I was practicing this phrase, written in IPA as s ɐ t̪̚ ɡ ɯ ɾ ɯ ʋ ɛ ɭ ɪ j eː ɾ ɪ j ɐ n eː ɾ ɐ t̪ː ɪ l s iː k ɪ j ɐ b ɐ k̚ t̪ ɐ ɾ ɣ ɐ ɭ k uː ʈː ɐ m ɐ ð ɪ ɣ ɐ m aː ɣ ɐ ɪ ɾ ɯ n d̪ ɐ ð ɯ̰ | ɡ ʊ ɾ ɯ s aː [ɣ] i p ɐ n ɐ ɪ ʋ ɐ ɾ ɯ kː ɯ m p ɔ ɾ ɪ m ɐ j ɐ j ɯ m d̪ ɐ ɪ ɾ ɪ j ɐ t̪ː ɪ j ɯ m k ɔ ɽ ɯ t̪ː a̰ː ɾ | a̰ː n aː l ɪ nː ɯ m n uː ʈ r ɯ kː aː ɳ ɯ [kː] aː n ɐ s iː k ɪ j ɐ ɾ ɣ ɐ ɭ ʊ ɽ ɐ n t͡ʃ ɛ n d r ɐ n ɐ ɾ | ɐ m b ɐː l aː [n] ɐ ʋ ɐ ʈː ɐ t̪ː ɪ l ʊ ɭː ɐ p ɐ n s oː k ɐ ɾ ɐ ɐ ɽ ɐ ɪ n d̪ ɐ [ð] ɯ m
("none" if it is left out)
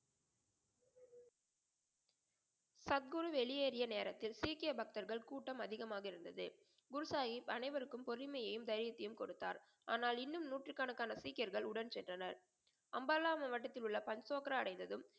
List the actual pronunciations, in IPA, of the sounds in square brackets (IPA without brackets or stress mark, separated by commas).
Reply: ɣ, kː, m, ð